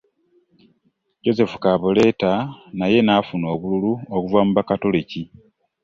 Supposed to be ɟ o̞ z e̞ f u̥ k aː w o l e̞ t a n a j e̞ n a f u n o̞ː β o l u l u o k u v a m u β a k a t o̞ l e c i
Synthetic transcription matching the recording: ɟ o̞ z e̞ f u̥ k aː β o l e̞ t a n a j e̞ n a f u n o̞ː β u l u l u o k u v a m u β a k a t o̞ l e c i